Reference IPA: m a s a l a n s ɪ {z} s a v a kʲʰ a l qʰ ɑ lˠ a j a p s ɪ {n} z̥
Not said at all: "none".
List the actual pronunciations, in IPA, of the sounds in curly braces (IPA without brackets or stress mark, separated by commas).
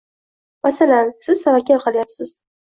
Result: z, none